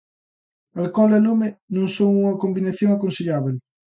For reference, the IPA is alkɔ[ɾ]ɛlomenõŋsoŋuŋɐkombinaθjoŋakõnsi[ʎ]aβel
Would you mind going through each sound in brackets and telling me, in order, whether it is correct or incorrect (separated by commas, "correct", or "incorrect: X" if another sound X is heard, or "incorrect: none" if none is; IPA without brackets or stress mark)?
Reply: incorrect: l, correct